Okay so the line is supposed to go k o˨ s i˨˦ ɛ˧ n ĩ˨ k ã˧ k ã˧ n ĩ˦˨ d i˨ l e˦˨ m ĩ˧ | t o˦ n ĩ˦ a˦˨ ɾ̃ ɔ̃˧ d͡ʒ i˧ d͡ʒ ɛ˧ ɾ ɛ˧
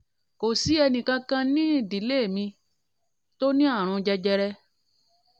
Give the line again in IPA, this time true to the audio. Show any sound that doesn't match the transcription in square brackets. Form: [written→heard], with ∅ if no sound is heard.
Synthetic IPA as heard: k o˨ s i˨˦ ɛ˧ n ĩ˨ k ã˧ k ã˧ n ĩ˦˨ d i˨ l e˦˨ m ĩ˧ | t o˦ n ĩ˦ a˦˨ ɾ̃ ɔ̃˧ d͡ʒ [i˧→ɛ˧] d͡ʒ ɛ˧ ɾ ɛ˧